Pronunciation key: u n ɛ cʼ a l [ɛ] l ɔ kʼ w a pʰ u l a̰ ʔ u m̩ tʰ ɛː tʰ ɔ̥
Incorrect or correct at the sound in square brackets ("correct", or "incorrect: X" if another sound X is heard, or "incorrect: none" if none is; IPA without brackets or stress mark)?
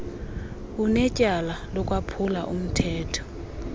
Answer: incorrect: a